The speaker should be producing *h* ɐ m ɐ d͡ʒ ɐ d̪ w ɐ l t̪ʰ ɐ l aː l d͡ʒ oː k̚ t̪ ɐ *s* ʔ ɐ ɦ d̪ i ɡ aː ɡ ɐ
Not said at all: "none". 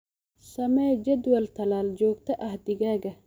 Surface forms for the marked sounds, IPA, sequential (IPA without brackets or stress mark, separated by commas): s, none